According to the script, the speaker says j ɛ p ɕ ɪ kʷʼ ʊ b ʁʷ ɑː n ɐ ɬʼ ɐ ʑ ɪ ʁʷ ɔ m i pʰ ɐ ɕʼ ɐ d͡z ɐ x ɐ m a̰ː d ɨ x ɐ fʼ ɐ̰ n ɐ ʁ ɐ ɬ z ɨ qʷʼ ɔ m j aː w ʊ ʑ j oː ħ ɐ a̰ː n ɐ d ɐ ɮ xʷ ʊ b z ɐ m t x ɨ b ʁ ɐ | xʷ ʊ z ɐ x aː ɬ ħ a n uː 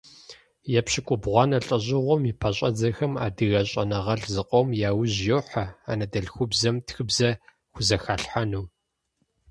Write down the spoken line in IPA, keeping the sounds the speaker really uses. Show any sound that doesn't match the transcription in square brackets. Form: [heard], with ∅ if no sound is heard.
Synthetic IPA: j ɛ p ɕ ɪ kʷʼ ʊ b ʁʷ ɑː n ɐ ɬʼ ɐ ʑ ɪ ʁʷ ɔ m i pʰ ɐ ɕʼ ɐ d͡z ɐ x ɐ m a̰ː d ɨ [ɣ] ɐ [ɕʼ] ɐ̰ n ɐ ʁ ɐ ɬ z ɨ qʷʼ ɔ m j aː w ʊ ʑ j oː ħ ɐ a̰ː n ɐ d ɐ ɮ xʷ ʊ b z ɐ m t x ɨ b [z] ɐ | xʷ ʊ z ɐ x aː ɬ ħ a n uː